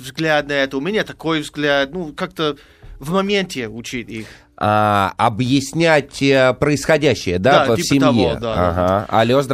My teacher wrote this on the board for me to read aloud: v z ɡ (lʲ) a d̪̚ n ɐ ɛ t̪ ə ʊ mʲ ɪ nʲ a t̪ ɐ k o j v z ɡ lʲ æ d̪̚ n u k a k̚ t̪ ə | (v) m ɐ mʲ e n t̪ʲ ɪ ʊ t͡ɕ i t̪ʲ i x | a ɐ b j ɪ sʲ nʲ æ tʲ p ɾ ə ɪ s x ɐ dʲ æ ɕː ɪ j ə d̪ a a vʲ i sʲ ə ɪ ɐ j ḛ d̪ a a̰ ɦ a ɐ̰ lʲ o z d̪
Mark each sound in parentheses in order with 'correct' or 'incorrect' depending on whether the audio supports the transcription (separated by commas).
correct, correct